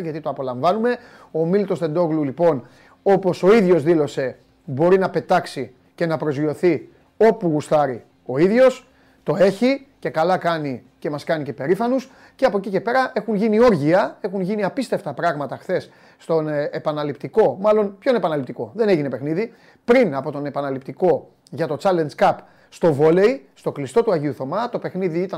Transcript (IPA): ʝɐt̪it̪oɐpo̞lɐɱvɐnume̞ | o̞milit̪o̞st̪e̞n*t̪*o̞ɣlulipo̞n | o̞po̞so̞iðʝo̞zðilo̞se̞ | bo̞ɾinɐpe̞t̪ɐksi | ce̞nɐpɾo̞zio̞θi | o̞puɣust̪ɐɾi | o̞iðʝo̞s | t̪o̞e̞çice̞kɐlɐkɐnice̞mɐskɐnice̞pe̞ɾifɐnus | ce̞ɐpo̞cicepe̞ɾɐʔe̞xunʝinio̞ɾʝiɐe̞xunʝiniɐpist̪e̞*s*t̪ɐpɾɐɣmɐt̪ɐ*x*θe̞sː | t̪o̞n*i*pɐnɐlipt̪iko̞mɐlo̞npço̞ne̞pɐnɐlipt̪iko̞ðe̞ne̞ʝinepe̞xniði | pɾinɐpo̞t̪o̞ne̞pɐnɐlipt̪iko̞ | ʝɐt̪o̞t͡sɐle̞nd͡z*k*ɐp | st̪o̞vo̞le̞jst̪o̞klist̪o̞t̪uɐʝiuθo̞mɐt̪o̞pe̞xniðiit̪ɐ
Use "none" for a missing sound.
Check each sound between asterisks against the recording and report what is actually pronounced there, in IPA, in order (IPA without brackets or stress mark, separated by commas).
d̪, f, x, e, k